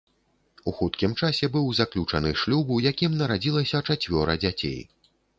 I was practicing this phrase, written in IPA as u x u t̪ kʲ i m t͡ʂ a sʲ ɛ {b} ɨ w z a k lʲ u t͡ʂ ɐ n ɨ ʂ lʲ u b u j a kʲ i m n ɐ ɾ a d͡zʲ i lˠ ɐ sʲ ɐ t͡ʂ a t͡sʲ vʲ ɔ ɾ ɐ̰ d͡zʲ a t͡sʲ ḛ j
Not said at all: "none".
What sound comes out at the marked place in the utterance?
b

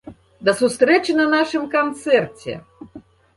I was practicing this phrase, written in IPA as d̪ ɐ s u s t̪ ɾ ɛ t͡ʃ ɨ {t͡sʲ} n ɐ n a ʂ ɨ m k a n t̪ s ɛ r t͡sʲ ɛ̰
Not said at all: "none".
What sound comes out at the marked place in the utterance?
none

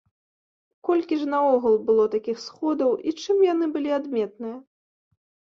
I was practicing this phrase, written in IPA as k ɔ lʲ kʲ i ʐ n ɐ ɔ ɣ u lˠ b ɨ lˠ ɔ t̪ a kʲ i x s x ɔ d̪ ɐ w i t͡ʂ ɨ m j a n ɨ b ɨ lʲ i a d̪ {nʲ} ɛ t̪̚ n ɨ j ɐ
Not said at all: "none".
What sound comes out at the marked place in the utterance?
mʲ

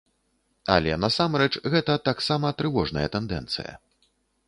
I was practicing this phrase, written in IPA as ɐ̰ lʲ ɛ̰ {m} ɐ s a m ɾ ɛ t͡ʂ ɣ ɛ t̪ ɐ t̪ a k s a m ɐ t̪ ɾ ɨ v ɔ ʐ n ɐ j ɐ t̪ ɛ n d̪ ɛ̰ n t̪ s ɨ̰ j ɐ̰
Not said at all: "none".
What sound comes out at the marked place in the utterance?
n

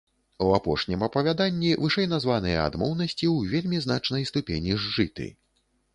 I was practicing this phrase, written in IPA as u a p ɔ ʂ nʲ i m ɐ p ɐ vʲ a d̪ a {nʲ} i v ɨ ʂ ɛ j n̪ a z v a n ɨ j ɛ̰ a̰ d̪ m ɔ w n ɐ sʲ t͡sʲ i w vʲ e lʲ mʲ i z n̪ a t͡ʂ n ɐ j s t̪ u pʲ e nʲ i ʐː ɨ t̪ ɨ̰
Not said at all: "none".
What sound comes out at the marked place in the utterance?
nʲː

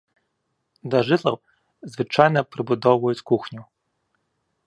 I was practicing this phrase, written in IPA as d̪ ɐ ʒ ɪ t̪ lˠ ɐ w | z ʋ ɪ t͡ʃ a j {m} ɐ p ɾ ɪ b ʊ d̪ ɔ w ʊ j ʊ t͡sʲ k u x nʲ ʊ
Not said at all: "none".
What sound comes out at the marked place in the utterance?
n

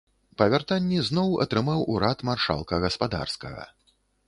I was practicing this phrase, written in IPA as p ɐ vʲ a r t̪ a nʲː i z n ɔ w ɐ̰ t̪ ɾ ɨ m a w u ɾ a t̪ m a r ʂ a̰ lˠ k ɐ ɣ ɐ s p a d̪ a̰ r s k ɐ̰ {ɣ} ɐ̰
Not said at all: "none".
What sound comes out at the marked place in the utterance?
ɣ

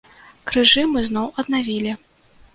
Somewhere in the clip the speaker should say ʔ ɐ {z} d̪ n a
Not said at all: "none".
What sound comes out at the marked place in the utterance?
none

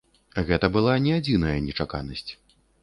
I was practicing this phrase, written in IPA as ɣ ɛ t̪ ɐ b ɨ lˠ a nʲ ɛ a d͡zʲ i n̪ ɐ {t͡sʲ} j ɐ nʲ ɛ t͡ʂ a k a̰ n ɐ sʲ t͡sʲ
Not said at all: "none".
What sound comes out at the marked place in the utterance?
none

